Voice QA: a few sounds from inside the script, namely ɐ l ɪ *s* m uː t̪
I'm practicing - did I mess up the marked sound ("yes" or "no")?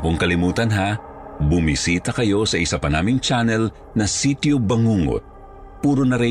yes